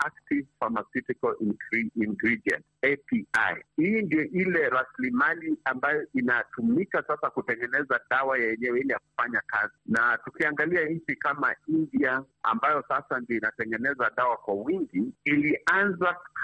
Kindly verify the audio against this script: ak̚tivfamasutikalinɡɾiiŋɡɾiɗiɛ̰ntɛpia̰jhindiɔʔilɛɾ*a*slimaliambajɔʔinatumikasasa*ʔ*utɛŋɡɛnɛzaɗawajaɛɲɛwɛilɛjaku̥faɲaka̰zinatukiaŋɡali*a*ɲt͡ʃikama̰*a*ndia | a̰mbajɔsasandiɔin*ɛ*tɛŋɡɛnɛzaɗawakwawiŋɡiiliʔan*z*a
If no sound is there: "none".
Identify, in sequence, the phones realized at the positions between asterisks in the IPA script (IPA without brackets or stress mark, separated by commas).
a, k, a, i, a, z